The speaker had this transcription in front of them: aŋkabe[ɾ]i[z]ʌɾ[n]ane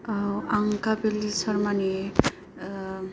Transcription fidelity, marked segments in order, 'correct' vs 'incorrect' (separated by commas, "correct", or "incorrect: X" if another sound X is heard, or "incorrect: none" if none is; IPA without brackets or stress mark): incorrect: l, incorrect: s, incorrect: m